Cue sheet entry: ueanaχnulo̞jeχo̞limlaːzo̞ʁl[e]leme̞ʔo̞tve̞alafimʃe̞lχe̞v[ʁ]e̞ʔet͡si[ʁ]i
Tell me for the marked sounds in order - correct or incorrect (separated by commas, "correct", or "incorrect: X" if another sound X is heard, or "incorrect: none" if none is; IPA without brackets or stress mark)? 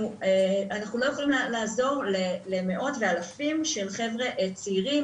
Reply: correct, correct, correct